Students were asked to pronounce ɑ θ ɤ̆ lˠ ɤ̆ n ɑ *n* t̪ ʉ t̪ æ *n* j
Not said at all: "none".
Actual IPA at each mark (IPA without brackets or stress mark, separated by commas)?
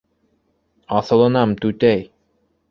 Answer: m, none